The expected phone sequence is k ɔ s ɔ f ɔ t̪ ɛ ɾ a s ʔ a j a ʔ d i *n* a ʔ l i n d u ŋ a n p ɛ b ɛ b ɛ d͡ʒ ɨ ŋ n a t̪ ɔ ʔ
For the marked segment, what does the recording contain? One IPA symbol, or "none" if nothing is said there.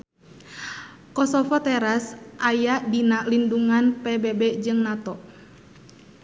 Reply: n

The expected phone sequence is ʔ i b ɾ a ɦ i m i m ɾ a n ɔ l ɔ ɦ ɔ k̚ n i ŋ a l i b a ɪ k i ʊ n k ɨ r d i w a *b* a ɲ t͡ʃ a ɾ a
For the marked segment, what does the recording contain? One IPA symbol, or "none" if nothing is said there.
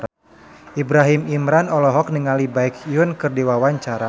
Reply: w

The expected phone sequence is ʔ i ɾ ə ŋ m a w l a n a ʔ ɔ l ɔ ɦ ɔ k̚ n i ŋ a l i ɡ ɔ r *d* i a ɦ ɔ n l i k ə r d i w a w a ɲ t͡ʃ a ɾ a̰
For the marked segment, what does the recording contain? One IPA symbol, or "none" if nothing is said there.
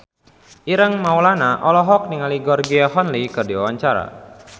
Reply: ɡ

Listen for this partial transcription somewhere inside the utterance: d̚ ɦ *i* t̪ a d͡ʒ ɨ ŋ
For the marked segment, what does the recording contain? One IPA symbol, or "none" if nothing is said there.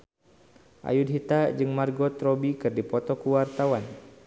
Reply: i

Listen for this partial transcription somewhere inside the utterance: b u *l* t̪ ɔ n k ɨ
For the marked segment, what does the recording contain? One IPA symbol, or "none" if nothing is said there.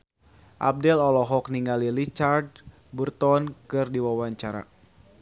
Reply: r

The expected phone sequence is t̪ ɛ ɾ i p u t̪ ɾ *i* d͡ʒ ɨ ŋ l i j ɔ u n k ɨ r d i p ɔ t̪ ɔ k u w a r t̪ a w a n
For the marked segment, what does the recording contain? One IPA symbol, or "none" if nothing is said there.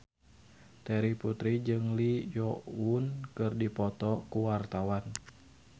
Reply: i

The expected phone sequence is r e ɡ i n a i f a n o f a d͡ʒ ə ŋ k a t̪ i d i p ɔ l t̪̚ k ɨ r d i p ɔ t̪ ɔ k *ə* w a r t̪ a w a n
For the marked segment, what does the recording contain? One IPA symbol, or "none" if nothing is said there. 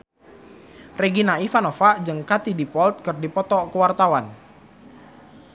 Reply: ə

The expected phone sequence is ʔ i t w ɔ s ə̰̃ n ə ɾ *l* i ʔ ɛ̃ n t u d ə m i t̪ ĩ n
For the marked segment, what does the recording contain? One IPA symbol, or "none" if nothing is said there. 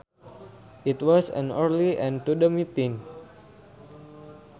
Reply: l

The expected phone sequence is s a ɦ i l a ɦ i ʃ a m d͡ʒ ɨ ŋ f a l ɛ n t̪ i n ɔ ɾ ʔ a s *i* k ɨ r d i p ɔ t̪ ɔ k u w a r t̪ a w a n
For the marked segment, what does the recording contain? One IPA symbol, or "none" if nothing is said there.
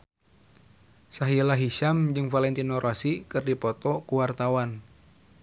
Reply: i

